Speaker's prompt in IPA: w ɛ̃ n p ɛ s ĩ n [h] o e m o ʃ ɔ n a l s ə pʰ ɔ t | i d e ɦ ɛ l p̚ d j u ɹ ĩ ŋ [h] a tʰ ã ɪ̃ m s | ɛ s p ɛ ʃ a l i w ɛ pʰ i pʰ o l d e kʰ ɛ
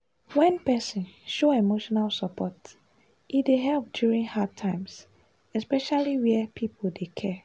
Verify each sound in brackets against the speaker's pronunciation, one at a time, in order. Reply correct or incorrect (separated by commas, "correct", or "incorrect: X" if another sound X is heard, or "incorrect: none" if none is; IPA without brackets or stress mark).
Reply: incorrect: ʃ, correct